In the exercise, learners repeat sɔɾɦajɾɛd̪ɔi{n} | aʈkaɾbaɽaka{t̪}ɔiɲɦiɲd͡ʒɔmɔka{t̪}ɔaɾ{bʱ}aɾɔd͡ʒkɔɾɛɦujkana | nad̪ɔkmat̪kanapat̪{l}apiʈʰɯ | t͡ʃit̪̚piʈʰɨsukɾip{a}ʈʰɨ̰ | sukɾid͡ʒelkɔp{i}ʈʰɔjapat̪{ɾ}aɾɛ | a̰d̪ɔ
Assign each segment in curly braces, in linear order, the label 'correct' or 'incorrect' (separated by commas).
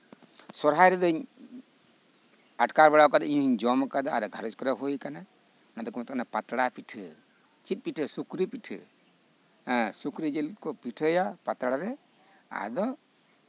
incorrect, incorrect, incorrect, incorrect, incorrect, incorrect, correct, incorrect